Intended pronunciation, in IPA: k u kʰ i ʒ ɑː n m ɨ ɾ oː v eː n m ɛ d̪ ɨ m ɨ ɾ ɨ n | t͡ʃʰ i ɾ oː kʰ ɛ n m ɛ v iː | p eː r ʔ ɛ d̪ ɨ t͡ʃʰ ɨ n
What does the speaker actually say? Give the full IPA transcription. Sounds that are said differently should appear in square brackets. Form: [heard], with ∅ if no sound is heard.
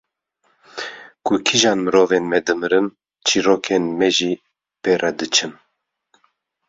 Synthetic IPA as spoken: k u kʰ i ʒ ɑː n m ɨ ɾ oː v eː n m ɛ d̪ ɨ m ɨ ɾ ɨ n | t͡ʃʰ i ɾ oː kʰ [e] n m ɛ [ʒ] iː | p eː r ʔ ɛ d̪ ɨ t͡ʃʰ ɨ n